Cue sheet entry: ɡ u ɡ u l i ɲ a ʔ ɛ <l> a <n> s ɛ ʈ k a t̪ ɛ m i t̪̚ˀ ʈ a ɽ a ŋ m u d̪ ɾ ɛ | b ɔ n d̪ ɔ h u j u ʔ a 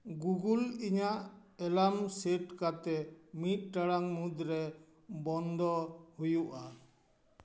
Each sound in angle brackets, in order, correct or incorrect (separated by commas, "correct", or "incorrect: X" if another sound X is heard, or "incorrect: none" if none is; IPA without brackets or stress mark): correct, incorrect: m